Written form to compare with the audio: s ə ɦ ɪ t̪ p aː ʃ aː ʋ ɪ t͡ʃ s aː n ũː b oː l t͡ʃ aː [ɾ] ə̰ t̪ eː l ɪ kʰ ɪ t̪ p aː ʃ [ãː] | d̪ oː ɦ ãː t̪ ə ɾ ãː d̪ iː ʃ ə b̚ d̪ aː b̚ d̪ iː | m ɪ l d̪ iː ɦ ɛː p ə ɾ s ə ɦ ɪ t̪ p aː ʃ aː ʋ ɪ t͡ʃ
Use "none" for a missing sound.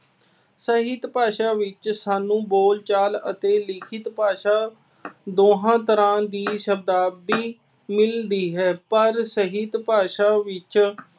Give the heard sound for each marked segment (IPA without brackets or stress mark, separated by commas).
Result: l, aː